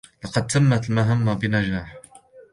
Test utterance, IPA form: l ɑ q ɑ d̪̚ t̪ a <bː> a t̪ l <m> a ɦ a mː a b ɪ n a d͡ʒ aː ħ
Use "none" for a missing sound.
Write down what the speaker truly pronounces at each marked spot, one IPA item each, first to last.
mː, m

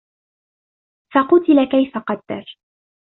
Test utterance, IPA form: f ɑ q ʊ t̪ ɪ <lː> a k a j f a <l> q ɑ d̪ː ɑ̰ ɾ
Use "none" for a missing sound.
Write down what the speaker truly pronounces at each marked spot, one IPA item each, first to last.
l, none

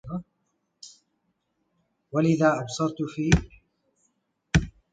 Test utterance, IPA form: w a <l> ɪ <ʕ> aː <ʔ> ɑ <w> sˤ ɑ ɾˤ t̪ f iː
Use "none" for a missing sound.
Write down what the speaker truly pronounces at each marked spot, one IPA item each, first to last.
l, ð, ʔ, b

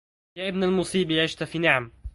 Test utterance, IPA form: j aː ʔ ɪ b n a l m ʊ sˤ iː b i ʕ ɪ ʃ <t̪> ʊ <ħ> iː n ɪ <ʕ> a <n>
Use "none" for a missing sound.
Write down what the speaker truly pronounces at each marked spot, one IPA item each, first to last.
t̪, f, ʕ, m

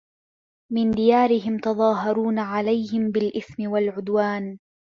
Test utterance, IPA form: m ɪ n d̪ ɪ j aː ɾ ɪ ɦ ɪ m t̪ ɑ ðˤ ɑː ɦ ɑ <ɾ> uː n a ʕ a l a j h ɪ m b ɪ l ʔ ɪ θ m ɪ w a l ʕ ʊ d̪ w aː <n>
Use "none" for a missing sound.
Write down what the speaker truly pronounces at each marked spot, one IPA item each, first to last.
ɾ, n

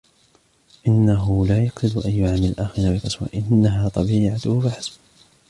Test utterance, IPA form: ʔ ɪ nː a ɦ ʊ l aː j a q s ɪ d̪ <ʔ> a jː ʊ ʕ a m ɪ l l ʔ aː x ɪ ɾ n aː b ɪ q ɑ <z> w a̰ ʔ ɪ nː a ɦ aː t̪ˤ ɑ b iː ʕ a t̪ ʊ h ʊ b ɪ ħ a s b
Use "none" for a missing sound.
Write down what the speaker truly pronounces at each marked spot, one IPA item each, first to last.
ʔ, s

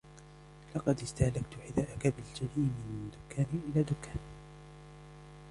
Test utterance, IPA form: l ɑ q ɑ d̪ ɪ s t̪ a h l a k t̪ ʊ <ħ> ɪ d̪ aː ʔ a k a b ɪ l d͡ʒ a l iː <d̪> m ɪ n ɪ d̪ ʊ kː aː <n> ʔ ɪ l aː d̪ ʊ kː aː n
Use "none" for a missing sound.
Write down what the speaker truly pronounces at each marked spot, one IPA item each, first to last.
ħ, none, n

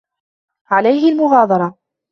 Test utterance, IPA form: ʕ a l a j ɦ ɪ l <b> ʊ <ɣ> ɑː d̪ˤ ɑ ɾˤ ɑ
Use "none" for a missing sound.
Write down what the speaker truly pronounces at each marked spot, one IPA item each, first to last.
m, ɣ

